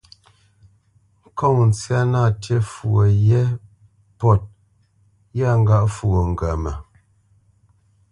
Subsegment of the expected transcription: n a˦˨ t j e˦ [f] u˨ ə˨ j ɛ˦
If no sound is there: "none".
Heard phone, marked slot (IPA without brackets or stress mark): f